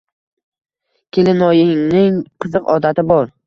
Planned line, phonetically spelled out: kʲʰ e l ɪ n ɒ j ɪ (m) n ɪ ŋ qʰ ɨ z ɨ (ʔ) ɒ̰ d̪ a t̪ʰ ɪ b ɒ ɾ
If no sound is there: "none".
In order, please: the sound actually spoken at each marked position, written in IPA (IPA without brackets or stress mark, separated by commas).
ŋ, q